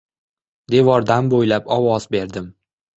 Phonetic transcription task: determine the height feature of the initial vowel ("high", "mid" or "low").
mid